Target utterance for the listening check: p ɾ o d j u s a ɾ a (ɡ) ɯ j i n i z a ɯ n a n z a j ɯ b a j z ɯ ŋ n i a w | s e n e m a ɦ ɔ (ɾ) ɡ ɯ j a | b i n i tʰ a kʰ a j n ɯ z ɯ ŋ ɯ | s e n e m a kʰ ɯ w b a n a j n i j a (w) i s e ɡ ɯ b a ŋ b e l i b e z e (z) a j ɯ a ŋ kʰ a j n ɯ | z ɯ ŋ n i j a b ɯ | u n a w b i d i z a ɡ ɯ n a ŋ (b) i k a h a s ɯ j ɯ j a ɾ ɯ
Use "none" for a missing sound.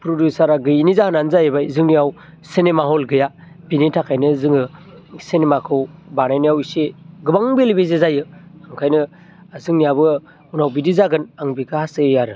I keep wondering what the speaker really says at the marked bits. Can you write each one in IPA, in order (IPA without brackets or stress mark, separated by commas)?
ɡ, l, w, z, b